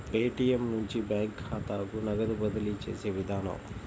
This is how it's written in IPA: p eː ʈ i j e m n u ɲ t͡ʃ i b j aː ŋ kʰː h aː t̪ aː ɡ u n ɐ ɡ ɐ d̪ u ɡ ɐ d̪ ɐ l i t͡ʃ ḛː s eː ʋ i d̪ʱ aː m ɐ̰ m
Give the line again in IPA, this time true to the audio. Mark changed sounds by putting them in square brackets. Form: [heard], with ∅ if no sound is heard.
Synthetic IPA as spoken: p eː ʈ i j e m n u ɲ t͡ʃ i b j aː ŋ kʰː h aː t̪ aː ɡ u n ɐ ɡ ɐ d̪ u [b] ɐ d̪ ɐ l i t͡ʃ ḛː s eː ʋ i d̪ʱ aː [n] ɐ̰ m